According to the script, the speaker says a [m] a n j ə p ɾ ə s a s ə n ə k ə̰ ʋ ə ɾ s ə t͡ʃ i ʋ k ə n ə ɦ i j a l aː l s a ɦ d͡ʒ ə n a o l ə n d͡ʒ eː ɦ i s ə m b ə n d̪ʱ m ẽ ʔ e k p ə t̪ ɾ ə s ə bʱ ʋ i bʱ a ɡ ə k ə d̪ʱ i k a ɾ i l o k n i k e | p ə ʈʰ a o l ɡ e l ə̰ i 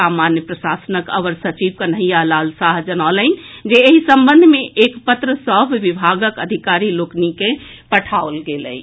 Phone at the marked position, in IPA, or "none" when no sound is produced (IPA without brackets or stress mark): m